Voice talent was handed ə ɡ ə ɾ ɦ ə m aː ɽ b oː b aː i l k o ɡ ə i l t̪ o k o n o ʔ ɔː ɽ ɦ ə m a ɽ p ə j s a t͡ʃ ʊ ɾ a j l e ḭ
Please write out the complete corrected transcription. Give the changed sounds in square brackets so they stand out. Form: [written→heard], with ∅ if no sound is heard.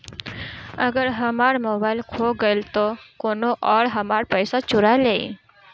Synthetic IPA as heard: ə ɡ ə ɾ ɦ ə m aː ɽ [b→m] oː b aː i l [k→kʰ] o ɡ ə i l t̪ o k o n o ʔ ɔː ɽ ɦ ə m a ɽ p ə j s a t͡ʃ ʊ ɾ a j l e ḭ